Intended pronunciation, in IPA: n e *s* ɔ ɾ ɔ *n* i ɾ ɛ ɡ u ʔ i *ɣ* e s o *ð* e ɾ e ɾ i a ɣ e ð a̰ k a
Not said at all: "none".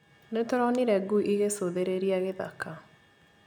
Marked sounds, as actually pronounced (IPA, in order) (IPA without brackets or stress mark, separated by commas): t, n, ɣ, ð